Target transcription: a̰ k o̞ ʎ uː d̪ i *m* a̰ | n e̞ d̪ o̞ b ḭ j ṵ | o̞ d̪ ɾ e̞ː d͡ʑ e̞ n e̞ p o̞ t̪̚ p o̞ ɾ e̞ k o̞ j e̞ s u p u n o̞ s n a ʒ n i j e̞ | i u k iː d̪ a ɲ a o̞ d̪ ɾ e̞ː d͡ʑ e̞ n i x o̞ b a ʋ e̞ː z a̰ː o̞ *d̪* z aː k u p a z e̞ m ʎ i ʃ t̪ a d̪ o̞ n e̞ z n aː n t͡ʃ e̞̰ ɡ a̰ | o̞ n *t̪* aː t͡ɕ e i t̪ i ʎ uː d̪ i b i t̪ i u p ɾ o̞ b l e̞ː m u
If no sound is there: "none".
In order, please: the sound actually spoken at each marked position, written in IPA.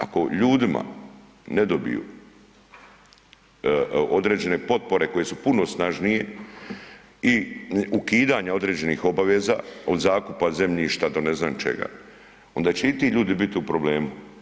m, d̪, d̪

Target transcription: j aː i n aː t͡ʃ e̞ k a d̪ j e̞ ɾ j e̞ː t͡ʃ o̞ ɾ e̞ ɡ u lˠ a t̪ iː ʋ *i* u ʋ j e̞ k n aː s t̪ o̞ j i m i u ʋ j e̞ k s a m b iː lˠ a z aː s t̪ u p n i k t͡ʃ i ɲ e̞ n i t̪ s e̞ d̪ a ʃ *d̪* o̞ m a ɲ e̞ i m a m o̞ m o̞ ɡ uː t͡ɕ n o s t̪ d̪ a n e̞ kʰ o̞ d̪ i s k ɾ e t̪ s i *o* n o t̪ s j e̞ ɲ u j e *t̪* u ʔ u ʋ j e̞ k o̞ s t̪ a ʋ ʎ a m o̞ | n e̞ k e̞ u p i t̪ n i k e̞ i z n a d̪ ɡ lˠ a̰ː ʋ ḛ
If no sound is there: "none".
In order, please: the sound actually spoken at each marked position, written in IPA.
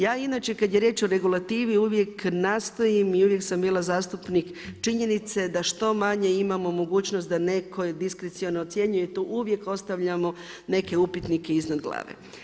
i, t̪, o, t̪

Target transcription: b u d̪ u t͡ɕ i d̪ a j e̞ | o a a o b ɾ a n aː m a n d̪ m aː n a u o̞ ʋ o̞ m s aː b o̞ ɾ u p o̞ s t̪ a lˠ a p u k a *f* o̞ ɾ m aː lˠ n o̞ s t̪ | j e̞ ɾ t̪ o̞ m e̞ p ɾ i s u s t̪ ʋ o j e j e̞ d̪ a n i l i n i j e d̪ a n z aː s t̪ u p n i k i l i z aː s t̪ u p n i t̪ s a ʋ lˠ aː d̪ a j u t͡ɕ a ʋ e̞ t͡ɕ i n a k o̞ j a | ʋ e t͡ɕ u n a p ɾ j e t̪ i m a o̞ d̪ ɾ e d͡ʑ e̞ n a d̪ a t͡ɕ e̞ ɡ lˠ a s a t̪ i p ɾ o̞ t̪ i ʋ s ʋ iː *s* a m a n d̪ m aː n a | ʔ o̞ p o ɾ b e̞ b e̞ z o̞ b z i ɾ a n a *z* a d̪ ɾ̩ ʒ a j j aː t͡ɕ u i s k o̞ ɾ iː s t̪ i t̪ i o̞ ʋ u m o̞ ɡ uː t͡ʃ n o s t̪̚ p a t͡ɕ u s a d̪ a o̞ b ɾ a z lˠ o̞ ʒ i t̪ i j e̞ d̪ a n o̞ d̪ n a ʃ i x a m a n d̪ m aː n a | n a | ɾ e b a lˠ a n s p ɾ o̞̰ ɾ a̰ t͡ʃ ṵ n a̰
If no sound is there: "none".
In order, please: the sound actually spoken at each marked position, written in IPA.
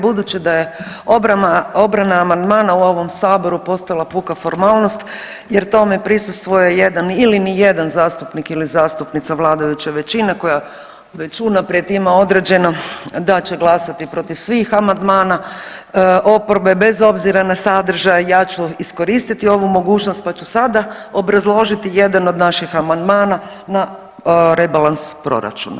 f, x, s

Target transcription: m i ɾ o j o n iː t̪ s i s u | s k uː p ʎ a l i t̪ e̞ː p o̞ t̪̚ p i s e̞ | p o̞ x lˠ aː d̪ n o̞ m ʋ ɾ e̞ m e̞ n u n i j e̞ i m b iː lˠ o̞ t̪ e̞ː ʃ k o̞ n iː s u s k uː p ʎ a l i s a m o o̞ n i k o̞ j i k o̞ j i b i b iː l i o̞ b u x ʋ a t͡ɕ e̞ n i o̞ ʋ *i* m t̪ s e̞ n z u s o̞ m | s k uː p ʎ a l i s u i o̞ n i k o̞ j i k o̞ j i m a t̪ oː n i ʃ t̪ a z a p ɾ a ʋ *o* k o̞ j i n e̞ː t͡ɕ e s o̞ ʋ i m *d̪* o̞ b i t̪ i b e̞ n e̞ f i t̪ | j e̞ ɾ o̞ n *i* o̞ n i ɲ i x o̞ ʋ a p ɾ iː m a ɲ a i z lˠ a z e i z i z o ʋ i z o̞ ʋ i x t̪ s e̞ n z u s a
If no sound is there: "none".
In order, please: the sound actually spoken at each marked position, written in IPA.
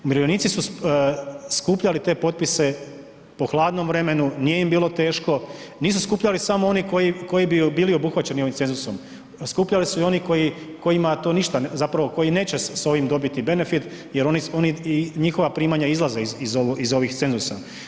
i, o, d̪, i

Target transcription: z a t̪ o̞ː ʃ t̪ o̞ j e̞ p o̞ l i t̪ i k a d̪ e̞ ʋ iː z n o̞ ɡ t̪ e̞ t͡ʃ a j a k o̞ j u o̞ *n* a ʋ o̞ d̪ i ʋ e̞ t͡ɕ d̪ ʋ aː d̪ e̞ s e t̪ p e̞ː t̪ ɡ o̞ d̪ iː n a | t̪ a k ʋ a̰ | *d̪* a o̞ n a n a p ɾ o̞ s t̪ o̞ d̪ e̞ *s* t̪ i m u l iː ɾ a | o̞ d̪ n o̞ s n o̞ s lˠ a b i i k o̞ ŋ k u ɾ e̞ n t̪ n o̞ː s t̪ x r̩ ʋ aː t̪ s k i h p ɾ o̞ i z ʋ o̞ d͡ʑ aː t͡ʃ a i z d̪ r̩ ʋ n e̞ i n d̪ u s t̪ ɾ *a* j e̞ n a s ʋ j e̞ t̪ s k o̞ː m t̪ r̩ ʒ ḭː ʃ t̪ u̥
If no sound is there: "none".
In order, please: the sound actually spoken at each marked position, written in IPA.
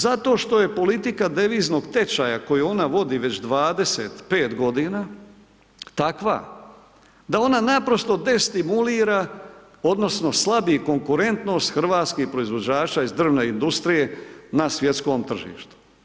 n, d̪, s, i

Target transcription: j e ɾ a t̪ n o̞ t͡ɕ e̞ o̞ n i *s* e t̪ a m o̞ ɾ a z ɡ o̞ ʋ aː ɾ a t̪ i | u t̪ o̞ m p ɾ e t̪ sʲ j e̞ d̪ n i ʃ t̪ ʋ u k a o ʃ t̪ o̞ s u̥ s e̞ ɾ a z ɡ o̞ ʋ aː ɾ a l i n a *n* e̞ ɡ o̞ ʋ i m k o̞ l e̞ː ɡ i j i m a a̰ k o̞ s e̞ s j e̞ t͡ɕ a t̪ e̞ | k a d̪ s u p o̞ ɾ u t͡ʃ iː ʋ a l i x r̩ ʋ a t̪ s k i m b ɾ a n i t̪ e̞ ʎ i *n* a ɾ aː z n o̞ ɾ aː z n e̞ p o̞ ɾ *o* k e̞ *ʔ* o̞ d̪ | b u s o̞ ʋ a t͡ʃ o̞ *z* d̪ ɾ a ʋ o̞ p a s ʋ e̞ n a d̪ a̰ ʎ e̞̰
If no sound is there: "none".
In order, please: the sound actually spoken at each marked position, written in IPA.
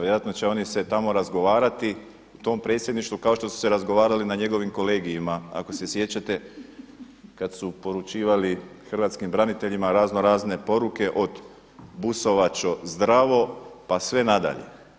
s, ɲ, m, u, ʔ, z

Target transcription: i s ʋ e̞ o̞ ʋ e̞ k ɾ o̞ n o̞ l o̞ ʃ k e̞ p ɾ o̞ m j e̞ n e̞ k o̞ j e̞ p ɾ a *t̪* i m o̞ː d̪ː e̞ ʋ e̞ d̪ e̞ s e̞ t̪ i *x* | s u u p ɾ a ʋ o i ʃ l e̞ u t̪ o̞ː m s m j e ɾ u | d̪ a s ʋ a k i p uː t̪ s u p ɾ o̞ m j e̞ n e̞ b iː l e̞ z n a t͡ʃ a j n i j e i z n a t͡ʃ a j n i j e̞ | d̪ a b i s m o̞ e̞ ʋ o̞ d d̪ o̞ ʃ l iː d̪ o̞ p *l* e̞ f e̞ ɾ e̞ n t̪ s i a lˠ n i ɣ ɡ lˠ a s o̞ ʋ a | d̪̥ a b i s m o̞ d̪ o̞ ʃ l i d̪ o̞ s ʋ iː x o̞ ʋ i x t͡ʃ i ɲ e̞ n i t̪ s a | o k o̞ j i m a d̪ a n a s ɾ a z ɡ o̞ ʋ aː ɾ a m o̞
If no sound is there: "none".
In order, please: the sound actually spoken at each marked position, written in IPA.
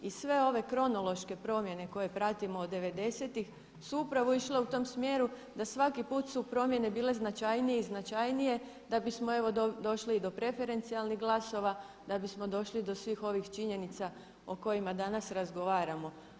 t̪, x, ɾ

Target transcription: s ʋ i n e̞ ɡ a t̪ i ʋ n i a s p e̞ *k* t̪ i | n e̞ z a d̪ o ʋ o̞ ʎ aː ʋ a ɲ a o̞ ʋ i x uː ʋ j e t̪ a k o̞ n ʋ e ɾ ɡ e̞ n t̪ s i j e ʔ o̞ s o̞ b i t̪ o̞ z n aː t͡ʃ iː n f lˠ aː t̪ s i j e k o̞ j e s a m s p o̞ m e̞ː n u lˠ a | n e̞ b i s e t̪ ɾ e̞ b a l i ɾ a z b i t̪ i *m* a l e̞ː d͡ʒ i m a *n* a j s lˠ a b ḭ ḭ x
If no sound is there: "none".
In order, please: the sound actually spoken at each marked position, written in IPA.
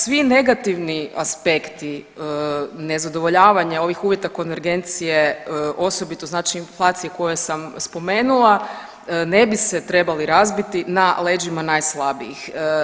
k, n, n

